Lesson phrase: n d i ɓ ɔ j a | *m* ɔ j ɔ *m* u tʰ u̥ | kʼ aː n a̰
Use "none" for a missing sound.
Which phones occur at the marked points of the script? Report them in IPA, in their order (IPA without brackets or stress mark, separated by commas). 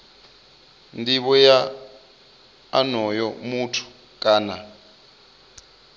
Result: n, m